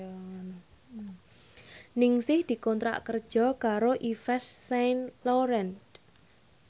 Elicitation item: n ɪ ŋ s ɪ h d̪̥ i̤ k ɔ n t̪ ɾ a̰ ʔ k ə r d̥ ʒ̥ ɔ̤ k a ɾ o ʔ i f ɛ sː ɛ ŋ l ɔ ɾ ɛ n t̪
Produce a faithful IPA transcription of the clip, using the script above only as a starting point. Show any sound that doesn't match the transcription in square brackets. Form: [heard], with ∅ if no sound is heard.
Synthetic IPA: n ɪ ŋ s ɪ h d̪̥ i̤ k ɔ n t̪ ɾ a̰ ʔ k ə r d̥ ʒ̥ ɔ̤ k a ɾ o ʔ i f ɛ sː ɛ [n] l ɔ ɾ ɛ n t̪

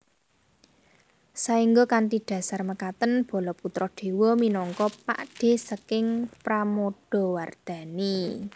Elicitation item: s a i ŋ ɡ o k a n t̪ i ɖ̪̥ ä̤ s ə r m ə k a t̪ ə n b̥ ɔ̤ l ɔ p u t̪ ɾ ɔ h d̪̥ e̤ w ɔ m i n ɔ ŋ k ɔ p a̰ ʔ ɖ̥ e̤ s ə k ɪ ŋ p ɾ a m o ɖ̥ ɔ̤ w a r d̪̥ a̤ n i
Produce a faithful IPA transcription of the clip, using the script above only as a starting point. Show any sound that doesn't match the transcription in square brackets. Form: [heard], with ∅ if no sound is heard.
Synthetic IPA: s a i ŋ ɡ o k a n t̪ i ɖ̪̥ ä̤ s [a] r m ə k a t̪ ə n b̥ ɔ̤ l ɔ p u t̪ ɾ ɔ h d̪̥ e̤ w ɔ m i n ɔ ŋ k ɔ p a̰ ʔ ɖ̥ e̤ s ə k ɪ ŋ p ɾ a m o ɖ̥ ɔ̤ w a r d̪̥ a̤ n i

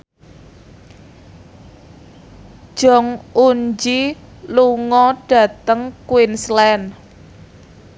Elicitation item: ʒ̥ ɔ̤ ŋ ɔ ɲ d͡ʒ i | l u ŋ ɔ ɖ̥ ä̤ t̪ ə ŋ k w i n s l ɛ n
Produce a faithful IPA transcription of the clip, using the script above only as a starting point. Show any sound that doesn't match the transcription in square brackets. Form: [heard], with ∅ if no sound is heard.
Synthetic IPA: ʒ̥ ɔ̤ ŋ [u] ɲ d͡ʒ i | l u ŋ ɔ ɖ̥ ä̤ t̪ ə ŋ k w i n s l ɛ n

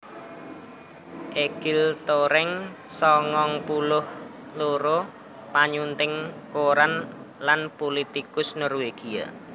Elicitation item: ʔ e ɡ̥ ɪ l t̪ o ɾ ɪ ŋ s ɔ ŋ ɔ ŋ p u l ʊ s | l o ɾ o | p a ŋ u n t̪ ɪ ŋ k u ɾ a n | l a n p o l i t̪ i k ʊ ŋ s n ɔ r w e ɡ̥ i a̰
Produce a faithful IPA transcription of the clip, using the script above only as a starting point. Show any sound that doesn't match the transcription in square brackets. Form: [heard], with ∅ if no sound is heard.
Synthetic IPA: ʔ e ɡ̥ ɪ l t̪ o ɾ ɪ ŋ s ɔ ŋ ɔ ŋ p u l ʊ [h] | l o ɾ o | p a [ɲ] u n t̪ ɪ ŋ k [o] ɾ a n | l a n p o l i t̪ i k ʊ [∅] s n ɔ r w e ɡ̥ i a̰

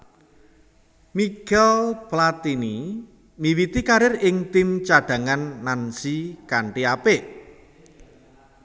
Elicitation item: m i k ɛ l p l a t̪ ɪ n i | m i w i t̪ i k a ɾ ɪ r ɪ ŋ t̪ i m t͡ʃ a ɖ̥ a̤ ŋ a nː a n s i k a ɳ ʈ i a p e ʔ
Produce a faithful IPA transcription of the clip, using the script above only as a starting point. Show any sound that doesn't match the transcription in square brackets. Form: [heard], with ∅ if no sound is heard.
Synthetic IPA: m i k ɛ l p l a t̪ [i] n i | m i w i t̪ i k a ɾ ɪ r ɪ ŋ t̪ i m t͡ʃ a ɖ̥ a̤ ŋ a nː a n s i k a ɳ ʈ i a p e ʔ

